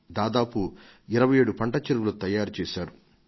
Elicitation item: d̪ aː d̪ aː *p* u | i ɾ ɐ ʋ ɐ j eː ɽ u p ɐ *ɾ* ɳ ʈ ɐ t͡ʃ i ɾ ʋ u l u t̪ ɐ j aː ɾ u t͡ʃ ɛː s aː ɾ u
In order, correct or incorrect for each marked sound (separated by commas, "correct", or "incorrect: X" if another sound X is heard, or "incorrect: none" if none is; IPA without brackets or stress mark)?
correct, incorrect: none